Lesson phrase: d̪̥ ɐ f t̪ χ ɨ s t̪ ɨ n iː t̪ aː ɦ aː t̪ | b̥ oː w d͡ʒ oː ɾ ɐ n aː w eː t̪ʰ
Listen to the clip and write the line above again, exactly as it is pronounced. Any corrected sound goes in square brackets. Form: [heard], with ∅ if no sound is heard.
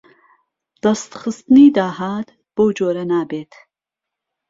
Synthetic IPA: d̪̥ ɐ [s] t̪ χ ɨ s t̪ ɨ n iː [d̪] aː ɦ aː t̪ | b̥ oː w d͡ʒ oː ɾ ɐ n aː [b] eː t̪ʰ